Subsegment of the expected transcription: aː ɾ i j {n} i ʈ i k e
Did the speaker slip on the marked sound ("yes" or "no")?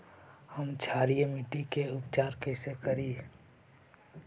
yes